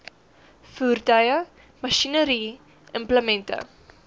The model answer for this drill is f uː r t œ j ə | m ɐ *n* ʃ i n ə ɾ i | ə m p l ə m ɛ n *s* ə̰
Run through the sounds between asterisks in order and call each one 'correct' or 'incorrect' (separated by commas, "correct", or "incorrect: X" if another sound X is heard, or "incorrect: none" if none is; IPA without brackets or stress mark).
incorrect: none, incorrect: t